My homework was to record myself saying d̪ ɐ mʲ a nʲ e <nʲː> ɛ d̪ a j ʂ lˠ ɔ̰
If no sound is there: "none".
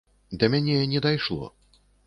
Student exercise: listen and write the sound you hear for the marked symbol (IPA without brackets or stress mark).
nʲ